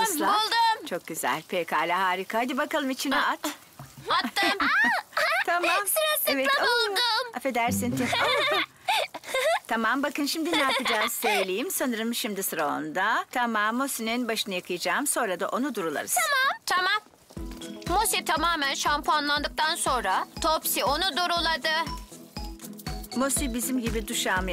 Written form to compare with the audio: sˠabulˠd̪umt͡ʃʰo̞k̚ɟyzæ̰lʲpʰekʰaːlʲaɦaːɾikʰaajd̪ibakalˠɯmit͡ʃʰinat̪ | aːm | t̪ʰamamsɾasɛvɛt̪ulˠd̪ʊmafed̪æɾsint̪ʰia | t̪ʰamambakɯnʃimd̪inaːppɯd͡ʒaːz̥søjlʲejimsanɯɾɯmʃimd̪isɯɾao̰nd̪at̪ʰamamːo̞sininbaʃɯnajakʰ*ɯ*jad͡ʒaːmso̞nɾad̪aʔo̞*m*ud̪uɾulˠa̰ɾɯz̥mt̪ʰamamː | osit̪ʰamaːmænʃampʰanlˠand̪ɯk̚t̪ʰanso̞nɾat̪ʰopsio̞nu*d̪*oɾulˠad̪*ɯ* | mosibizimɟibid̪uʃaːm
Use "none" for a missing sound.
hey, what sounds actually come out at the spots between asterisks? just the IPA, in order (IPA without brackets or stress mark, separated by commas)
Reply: ɯ, n, d̪, ɯ